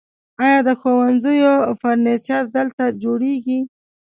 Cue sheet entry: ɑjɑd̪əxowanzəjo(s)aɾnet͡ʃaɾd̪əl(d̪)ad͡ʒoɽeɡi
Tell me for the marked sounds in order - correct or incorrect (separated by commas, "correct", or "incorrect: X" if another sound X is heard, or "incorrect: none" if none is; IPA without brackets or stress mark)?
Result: incorrect: f, incorrect: t̪